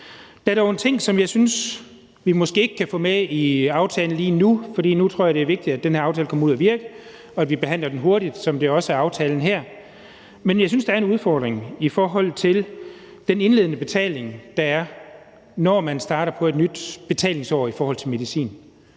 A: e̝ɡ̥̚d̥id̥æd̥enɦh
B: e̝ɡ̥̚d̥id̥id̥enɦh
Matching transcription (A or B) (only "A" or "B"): A